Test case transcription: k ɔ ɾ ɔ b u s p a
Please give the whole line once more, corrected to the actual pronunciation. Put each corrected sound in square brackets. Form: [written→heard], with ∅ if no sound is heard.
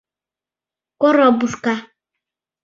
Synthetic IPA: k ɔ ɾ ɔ b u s [p→k] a